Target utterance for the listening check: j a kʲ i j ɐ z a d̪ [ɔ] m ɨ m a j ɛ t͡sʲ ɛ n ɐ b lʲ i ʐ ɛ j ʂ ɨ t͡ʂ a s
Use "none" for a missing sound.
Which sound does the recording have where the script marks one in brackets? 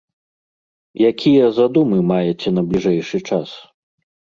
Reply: u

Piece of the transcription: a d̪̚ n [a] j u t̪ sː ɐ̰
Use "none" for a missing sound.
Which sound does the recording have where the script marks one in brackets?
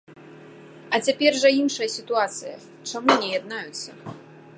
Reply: a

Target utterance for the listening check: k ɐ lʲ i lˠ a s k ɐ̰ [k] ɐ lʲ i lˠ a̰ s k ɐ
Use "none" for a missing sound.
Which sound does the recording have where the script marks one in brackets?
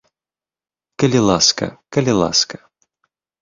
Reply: k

